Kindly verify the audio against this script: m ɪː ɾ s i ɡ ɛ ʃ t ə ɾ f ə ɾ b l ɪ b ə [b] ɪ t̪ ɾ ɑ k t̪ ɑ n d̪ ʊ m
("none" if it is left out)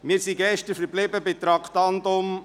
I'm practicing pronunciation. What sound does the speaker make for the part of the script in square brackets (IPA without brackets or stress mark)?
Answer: b